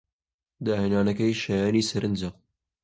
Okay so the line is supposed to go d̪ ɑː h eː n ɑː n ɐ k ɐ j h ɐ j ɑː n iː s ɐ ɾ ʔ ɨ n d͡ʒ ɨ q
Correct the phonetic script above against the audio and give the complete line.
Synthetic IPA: d̪ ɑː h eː n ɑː n ɐ k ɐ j ʃ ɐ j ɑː n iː s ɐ ɾ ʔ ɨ n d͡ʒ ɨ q